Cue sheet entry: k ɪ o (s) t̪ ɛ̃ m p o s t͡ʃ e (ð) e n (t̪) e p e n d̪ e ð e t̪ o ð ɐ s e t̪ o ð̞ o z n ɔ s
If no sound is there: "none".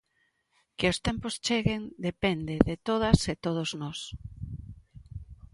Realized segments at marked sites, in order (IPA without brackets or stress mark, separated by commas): s, ɣ, d̪